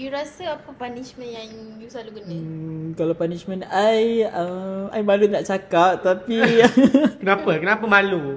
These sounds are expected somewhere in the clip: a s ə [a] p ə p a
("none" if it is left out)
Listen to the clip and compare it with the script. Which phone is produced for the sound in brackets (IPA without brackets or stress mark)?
a